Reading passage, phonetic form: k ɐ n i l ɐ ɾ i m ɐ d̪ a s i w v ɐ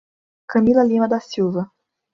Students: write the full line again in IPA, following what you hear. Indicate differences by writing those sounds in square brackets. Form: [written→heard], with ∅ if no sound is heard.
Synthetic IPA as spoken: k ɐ [n→m] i l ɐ [ɾ→l] i m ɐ d̪ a s i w v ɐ